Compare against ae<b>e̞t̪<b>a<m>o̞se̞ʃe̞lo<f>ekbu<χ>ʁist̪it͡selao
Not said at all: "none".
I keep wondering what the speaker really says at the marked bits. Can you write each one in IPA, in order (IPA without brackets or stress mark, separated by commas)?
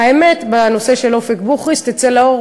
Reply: m, b, n, f, χ